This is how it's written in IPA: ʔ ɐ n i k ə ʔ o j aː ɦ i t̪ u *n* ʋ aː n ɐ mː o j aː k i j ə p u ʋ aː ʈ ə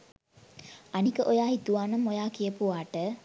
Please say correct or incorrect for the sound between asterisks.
incorrect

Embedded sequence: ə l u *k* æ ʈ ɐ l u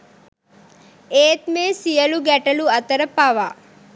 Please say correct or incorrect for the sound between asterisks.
incorrect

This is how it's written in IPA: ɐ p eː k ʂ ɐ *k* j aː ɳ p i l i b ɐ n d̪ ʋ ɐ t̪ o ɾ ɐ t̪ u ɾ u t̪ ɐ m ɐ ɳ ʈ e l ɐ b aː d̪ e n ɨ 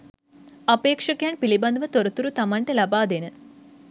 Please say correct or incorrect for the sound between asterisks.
correct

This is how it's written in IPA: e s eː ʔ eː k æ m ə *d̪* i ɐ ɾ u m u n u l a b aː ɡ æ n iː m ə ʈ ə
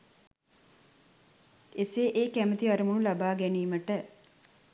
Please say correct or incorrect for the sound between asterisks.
incorrect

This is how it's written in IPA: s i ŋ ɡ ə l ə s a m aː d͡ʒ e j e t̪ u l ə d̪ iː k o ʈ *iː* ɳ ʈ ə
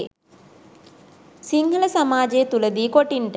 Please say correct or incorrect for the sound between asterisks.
incorrect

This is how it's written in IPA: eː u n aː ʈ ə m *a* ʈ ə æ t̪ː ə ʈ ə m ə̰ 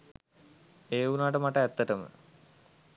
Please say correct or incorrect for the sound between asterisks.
correct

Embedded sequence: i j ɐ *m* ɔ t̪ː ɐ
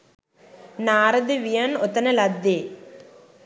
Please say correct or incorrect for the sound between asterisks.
incorrect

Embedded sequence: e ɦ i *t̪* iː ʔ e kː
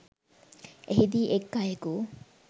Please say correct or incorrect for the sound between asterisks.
incorrect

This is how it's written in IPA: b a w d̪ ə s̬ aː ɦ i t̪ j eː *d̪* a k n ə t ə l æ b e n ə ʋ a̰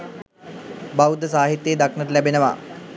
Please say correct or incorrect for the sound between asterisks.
correct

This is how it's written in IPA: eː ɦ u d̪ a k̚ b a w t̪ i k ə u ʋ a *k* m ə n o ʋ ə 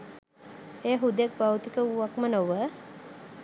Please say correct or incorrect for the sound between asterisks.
correct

